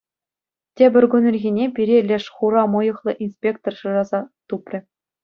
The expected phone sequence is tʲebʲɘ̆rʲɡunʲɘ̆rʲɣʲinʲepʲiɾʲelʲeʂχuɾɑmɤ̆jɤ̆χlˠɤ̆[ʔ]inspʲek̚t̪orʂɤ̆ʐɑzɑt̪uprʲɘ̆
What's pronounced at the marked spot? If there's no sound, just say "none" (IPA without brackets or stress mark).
ʔ